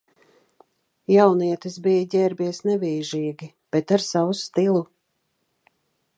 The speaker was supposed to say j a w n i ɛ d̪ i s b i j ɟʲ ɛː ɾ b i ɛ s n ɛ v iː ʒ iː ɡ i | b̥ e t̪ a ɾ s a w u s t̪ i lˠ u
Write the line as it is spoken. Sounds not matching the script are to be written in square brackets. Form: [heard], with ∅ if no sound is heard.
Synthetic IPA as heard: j a w n i ɛ [t̪] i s b i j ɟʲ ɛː ɾ b i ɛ s n ɛ v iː ʒ iː ɡ i | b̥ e t̪ a ɾ s a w u s t̪ i lˠ u